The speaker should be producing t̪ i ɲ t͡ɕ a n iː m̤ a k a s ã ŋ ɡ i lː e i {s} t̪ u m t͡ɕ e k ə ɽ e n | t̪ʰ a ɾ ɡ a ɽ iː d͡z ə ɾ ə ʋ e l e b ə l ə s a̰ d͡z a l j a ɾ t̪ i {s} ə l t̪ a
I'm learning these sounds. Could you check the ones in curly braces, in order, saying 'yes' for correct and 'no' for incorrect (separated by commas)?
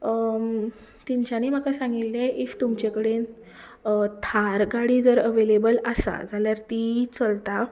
no, no